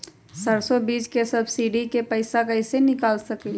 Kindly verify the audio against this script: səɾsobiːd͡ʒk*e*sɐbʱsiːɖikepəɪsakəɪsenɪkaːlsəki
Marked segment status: correct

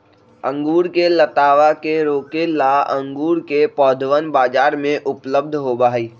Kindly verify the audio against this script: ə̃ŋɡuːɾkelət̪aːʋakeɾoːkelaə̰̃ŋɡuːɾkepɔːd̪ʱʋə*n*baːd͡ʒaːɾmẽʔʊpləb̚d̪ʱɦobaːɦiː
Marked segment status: correct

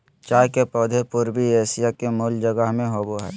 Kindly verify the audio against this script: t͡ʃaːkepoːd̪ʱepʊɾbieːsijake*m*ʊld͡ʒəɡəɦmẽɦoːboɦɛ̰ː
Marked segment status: correct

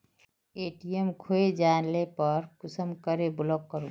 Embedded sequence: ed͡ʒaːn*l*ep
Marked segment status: correct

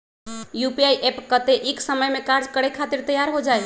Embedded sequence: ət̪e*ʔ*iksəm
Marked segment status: correct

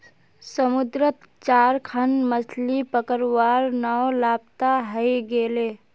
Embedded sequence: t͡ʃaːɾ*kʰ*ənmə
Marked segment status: correct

